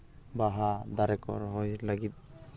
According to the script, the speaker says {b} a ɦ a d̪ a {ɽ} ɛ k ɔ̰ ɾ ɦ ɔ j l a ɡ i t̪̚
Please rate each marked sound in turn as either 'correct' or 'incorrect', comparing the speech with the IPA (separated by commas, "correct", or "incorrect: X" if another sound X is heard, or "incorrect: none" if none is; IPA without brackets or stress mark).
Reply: correct, incorrect: ɾ